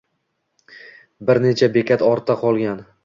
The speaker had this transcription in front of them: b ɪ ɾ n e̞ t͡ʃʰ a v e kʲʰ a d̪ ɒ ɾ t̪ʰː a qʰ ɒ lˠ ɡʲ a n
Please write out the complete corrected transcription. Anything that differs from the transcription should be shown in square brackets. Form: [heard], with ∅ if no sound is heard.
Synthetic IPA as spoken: b ɪ ɾ n e̞ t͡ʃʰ a [b] e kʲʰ a [t̪] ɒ ɾ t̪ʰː a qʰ ɒ lˠ ɡʲ a n